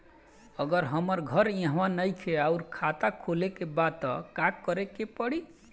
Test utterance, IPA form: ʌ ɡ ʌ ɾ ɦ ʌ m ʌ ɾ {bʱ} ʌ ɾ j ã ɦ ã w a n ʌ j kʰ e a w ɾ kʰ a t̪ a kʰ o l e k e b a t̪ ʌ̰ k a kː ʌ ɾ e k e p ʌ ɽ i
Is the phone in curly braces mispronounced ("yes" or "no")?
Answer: yes